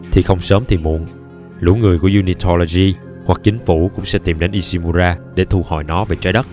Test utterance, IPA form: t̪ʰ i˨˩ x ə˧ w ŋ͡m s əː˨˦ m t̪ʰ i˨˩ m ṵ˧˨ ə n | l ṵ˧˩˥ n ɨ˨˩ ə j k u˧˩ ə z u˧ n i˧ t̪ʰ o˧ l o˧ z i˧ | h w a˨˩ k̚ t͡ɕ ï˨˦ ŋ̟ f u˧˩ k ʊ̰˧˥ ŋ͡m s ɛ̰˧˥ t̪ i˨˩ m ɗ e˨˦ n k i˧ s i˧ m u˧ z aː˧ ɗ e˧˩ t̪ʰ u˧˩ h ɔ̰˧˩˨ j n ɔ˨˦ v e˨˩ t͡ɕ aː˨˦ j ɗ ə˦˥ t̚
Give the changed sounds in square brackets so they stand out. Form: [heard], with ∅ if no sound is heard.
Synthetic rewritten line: t̪ʰ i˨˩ x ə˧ w ŋ͡m s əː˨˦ m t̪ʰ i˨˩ m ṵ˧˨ ə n | l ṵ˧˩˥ [ŋ] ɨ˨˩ ə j k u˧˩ ə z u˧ n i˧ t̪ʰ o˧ l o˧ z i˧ | h w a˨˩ k̚ t͡ɕ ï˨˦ ŋ̟ f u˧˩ k ʊ̰˧˥ ŋ͡m s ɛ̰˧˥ t̪ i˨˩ m ɗ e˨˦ n [ʔ] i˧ s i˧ m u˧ z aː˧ ɗ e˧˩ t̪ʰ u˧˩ h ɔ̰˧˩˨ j n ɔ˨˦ v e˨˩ t͡ɕ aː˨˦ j ɗ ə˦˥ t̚